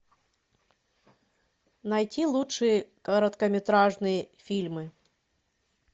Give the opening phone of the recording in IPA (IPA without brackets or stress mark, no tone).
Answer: n